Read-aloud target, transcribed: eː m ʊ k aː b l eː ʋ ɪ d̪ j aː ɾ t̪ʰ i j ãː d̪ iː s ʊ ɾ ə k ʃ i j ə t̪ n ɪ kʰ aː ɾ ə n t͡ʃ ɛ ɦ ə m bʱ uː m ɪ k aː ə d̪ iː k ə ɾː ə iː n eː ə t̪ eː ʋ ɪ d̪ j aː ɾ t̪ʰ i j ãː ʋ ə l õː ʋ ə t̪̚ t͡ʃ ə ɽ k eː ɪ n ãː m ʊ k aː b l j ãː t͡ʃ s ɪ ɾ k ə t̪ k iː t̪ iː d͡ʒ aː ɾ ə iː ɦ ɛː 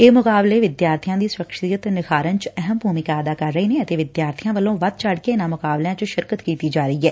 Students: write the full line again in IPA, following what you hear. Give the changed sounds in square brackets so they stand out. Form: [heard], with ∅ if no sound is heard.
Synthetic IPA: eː m ʊ k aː b l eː ʋ ɪ d̪ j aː ɾ t̪ʰ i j ãː d̪ iː s ʊ ɾ ə k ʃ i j ə t̪ n ɪ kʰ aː ɾ ə n t͡ʃ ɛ ɦ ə m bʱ uː m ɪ k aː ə d̪ [aː] k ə ɾː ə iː n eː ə t̪ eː ʋ ɪ d̪ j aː ɾ t̪ʰ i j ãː ʋ ə l õː ʋ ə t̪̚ t͡ʃ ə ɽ k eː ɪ n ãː m ʊ k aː b l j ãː t͡ʃ [ʃ] ɪ ɾ k ə t̪ k iː t̪ iː d͡ʒ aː ɾ ə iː ɦ ɛː